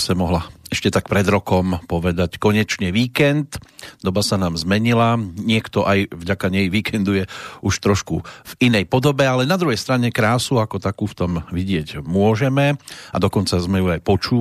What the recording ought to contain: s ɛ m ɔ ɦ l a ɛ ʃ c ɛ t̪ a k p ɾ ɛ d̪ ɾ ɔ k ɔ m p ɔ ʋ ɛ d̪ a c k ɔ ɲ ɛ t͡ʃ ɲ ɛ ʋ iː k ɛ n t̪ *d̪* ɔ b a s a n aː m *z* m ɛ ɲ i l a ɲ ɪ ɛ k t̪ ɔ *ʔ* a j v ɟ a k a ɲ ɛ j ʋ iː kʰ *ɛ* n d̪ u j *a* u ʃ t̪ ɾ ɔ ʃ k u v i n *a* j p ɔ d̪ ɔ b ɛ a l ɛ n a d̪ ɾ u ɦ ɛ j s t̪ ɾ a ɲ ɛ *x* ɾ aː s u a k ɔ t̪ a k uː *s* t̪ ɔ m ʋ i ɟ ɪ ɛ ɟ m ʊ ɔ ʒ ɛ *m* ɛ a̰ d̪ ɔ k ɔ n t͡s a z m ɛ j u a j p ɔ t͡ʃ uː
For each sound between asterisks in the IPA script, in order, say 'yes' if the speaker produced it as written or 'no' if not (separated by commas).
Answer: yes, yes, yes, yes, no, no, no, no, yes